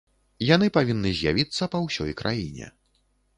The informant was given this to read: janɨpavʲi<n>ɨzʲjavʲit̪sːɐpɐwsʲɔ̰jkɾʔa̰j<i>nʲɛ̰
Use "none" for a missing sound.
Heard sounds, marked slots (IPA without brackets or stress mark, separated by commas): nː, i